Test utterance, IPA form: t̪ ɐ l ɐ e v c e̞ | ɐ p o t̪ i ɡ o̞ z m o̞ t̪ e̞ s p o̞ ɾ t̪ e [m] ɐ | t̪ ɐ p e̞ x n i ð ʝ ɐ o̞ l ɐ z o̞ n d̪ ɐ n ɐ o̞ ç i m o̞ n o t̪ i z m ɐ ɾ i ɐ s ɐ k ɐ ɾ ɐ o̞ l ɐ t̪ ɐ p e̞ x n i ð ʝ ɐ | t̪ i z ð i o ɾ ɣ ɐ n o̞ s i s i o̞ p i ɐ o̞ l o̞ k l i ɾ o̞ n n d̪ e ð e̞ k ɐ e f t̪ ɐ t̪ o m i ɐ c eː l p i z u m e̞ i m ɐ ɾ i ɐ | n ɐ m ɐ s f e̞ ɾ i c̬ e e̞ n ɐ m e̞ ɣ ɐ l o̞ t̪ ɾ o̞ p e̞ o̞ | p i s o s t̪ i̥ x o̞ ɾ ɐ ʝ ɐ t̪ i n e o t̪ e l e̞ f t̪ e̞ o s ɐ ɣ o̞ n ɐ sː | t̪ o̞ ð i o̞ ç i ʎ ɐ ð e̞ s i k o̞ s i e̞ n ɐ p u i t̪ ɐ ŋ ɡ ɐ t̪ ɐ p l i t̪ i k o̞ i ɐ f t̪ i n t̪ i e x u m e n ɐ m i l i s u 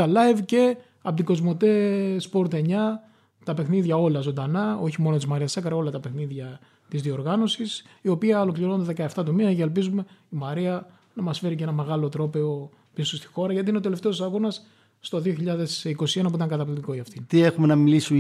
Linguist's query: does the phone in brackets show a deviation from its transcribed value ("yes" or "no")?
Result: yes